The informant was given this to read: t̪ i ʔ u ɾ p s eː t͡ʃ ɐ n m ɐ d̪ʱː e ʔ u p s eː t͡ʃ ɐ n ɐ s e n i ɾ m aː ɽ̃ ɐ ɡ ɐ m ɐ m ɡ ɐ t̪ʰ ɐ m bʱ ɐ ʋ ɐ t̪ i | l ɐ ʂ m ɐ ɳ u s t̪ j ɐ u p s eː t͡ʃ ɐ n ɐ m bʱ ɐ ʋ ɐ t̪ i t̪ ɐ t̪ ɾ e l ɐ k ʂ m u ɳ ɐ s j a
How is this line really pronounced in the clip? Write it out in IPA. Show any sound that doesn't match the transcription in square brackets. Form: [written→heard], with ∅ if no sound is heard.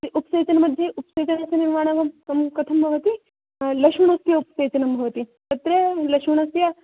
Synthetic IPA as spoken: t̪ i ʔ u [ɾ→∅] p s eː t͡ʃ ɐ n m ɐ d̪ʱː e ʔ u p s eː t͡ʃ ɐ n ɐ s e n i ɾ m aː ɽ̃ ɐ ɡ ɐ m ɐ m [ɡ→k] ɐ t̪ʰ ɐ m bʱ ɐ ʋ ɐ t̪ i | l ɐ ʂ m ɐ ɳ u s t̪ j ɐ u p s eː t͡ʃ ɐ n ɐ m bʱ ɐ ʋ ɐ t̪ i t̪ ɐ t̪ ɾ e l ɐ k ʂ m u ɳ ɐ s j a

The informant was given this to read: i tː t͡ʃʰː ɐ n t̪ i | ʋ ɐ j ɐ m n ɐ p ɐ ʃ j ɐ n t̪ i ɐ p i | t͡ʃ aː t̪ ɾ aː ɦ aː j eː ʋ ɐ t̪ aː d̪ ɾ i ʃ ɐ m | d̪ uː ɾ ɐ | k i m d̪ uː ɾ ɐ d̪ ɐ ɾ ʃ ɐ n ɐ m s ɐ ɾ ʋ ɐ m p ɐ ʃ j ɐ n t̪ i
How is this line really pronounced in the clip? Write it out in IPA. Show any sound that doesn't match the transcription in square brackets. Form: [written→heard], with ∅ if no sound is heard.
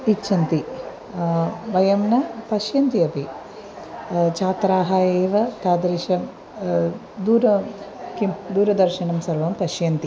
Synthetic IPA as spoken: i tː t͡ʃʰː ɐ n t̪ i | ʋ ɐ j ɐ m n ɐ p ɐ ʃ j ɐ n t̪ i ɐ p i | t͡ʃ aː t̪ ɾ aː ɦ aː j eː ʋ ɐ t̪ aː d̪ ɾ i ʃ ɐ m | d̪ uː ɾ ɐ | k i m d̪ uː ɾ ɐ d̪ ɐ ɾ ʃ ɐ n ɐ m s ɐ ɾ ʋ ɐ m p ɐ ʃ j ɐ n t̪ i

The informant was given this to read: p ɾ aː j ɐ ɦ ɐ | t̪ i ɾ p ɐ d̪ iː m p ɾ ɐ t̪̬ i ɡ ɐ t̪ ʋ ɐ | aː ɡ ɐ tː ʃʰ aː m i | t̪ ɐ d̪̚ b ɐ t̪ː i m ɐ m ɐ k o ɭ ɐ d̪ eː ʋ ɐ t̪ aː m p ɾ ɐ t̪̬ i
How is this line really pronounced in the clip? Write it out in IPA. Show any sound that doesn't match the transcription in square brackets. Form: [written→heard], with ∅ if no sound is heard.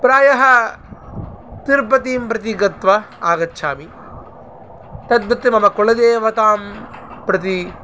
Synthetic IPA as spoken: p ɾ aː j ɐ ɦ ɐ | t̪ i ɾ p ɐ [d̪→t̪] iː m p ɾ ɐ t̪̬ i ɡ ɐ t̪ ʋ ɐ | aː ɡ ɐ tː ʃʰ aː m i | t̪ ɐ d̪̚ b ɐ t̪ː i m ɐ m ɐ k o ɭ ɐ d̪ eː ʋ ɐ t̪ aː m p ɾ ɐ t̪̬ i

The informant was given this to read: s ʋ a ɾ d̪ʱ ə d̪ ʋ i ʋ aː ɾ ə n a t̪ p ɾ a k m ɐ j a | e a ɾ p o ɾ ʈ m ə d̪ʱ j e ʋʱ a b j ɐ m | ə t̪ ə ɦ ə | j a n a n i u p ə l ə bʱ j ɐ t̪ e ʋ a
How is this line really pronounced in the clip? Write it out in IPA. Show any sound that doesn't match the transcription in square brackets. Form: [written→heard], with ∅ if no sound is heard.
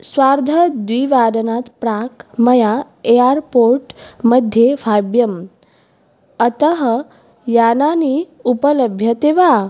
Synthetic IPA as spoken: s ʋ a ɾ d̪ʱ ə d̪ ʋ i ʋ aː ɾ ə n a t̪ p ɾ a k m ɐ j a | e a ɾ p o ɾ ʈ m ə d̪ʱ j e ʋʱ a b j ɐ m | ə t̪ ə ɦ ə | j a n a n i u p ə l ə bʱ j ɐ t̪ e ʋ a

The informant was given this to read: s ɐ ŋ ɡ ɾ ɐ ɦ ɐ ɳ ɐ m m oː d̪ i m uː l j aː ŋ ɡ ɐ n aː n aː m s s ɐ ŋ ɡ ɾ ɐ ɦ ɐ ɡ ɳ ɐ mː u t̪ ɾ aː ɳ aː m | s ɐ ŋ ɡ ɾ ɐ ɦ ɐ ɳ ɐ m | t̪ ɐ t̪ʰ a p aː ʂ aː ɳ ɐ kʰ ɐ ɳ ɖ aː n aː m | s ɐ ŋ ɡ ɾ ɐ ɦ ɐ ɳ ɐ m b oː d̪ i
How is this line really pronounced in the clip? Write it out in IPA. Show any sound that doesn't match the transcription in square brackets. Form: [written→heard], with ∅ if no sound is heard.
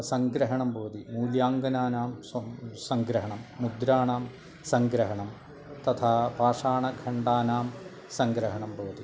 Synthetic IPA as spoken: s ɐ ŋ ɡ ɾ ɐ ɦ ɐ ɳ ɐ m [m→b] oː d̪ i m uː l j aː ŋ ɡ ɐ n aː n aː m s s ɐ ŋ ɡ ɾ ɐ ɦ ɐ [ɡ→∅] ɳ ɐ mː u [t̪→d̪] ɾ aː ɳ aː m | s ɐ ŋ ɡ ɾ ɐ ɦ ɐ ɳ ɐ m | t̪ ɐ t̪ʰ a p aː ʂ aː ɳ ɐ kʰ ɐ ɳ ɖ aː n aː m | s ɐ ŋ ɡ ɾ ɐ ɦ ɐ ɳ ɐ m b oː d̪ i

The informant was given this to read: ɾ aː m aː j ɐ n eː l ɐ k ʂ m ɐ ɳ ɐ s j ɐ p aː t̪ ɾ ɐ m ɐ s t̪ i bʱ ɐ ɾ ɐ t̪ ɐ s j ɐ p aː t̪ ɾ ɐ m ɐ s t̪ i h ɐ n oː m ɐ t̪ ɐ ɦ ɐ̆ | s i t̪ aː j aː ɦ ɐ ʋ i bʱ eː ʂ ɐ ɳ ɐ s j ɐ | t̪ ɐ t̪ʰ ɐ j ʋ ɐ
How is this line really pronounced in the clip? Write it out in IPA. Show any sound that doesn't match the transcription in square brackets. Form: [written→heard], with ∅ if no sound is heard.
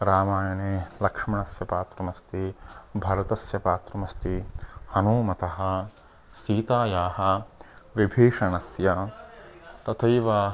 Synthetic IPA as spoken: ɾ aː m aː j ɐ n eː l ɐ k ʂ m ɐ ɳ ɐ s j ɐ p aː t̪ ɾ ɐ m ɐ s t̪ i bʱ ɐ ɾ ɐ t̪ ɐ s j ɐ p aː t̪ ɾ ɐ m ɐ s t̪ i h ɐ n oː m ɐ t̪ ɐ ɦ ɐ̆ | s [i→iː] t̪ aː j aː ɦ ɐ ʋ i bʱ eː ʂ ɐ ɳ ɐ s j ɐ | t̪ ɐ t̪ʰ ɐ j ʋ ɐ

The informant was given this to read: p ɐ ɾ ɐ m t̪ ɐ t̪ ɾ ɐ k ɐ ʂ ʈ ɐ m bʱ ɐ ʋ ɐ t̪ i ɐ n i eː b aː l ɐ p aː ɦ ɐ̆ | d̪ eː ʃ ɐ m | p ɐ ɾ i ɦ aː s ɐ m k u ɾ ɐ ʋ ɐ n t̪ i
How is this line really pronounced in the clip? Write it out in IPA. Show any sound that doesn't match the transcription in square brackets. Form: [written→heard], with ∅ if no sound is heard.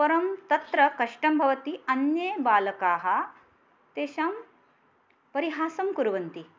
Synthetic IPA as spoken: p ɐ ɾ ɐ m t̪ ɐ t̪ ɾ ɐ k ɐ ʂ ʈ ɐ m bʱ ɐ ʋ ɐ t̪ i ɐ n [i→j] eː b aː l ɐ [p→k] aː ɦ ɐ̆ | [d̪→t̪] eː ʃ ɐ m | p ɐ ɾ i ɦ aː s ɐ m k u ɾ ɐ ʋ ɐ n t̪ i

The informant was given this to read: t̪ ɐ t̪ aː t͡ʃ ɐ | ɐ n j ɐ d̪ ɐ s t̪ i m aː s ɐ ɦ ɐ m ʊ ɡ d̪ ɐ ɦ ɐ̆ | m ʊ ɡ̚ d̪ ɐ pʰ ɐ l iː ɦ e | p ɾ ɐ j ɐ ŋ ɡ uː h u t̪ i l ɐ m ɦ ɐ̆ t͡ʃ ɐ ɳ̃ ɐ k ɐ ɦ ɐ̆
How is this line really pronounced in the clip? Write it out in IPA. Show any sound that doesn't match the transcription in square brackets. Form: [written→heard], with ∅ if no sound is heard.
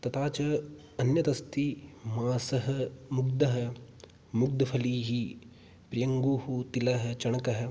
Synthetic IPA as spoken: t̪ ɐ t̪ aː t͡ʃ ɐ | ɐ n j ɐ [d̪→t̪] ɐ s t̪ i m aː s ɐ ɦ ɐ m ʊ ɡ d̪ ɐ ɦ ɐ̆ | m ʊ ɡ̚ d̪ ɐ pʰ ɐ l iː ɦ [e→i] | p ɾ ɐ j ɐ ŋ ɡ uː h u t̪ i l ɐ [m→∅] ɦ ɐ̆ t͡ʃ ɐ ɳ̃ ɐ k ɐ ɦ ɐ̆

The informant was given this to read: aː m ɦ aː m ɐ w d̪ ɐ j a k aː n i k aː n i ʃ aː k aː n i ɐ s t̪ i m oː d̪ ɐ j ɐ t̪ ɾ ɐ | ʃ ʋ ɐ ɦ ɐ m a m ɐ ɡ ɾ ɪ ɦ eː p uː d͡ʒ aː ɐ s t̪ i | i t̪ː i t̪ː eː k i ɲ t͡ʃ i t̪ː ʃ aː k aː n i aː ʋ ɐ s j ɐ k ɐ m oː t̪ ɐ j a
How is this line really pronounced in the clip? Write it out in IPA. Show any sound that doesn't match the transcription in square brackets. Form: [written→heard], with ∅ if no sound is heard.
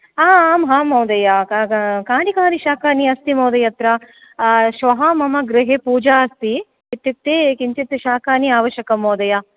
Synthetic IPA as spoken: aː m ɦ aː m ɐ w d̪ ɐ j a k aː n i k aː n i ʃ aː k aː n i ɐ s t̪ i m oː d̪ ɐ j ɐ t̪ ɾ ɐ | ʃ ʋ ɐ ɦ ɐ m [a→ɐ] m ɐ ɡ ɾ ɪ ɦ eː p uː d͡ʒ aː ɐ s t̪ i | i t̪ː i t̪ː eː k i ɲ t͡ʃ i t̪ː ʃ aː k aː n i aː ʋ ɐ [s→ʃ] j ɐ k ɐ m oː [t̪→d̪] ɐ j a

